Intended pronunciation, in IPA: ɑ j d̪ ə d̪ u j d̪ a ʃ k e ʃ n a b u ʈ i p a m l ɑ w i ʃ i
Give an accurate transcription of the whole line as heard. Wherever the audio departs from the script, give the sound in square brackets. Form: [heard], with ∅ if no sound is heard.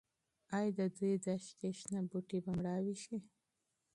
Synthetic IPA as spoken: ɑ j d̪ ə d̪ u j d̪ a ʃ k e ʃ n a b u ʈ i [b] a m [ɽ] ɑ w i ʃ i